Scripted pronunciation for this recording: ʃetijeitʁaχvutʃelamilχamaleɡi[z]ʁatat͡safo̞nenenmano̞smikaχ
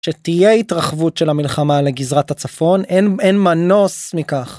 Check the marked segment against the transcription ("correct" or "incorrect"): correct